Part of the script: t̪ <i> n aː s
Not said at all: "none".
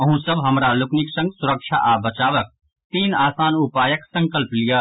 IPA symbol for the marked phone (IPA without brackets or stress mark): iː